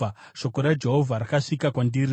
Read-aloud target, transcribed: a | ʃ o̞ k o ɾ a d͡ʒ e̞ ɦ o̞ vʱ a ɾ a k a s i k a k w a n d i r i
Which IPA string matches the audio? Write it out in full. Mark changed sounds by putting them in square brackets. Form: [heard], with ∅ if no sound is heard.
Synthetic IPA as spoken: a | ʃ o̞ k o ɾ a d͡ʒ e̞ ɦ o̞ vʱ a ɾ a k a [ʂ] i k a k w a n d i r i